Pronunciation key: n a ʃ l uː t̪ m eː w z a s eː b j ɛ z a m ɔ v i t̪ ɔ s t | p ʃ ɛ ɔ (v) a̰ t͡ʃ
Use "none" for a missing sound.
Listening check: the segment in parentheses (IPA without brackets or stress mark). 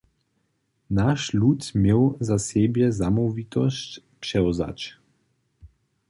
z